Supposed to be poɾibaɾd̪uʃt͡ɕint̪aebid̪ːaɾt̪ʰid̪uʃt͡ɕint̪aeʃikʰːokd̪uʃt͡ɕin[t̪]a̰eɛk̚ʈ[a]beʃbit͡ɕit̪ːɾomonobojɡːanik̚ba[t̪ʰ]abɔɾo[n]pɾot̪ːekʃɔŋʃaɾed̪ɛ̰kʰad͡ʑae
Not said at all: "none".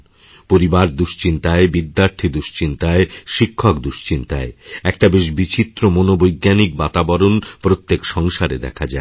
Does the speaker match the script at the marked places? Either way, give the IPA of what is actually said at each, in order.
t̪, a, t̪, n

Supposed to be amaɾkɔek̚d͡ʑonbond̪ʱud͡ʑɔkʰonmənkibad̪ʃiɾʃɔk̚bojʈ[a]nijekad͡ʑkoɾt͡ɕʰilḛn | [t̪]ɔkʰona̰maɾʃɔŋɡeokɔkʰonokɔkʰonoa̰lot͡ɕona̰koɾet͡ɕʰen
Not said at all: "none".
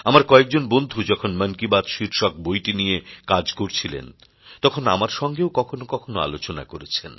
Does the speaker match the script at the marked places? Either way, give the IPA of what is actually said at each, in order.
i, t̪

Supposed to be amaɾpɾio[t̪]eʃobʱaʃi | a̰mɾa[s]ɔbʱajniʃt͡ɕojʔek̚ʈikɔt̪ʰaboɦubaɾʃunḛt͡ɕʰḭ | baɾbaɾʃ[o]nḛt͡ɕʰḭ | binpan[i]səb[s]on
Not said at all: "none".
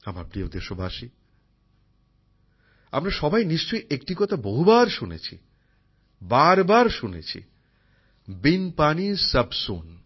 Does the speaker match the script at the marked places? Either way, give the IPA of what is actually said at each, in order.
d̪, ʃ, u, i, s

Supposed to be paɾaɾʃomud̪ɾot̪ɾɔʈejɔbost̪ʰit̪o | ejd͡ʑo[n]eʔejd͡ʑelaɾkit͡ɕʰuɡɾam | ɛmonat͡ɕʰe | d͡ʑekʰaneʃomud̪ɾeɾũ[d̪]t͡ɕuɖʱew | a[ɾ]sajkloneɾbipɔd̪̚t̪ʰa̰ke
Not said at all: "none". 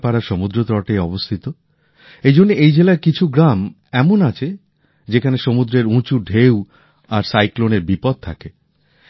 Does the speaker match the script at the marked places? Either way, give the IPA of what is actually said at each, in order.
nː, none, ɾ

